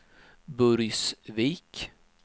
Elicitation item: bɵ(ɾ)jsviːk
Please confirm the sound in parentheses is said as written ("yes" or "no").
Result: yes